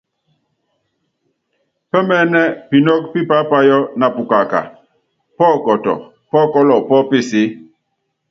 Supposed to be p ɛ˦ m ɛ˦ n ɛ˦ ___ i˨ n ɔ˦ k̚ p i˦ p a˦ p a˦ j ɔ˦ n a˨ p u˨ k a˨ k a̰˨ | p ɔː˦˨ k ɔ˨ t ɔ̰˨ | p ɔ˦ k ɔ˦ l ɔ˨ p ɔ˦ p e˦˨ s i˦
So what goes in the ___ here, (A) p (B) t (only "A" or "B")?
A